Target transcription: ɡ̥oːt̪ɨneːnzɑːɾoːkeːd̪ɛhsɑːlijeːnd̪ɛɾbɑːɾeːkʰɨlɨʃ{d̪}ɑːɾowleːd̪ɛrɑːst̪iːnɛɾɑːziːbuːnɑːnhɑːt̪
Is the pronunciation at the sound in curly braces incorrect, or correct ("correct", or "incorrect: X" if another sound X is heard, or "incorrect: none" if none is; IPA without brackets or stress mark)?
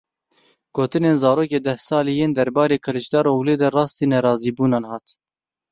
correct